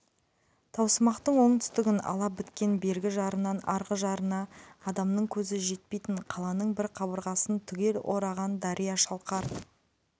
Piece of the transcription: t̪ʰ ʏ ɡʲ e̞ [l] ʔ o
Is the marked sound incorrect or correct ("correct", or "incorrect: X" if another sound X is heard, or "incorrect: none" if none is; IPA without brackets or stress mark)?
correct